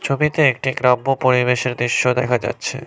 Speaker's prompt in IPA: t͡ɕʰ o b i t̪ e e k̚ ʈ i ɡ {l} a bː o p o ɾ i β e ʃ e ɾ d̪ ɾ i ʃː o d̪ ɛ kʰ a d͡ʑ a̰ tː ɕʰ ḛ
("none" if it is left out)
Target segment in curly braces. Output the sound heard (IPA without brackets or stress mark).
ɾ